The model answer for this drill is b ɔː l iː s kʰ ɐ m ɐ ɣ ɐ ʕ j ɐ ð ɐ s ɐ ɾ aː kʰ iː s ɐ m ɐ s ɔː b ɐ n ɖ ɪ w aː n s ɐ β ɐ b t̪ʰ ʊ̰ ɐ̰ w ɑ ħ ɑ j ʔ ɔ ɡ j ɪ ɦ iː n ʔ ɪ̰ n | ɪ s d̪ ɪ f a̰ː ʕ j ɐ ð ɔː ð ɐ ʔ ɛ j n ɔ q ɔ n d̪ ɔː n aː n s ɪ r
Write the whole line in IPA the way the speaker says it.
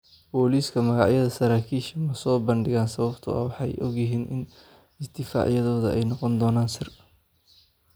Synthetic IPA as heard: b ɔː l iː s kʰ ɐ m ɐ ɣ ɑ ʕ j ɐ ð ɐ s ɐ ɾ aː kʰ iː ʃ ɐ m ɐ s ɔː b ɐ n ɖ ɪ ɣ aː n s ɐ β ɐ b t̪ʰ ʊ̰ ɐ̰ w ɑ ħ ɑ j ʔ ɔ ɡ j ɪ ɦ iː n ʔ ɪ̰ n | ɪ s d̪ ɪ f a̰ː ʕ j ɐ ð ɔː ð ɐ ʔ ɛ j n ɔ q ɔ n d̪ ɔː n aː n s ɪ r